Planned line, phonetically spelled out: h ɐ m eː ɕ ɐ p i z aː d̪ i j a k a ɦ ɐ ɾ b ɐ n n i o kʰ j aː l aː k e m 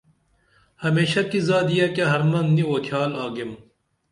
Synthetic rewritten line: h ɐ m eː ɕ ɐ k i z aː d̪ i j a k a ɦ ɐ ɾ m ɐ n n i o kʰ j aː l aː ɡ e m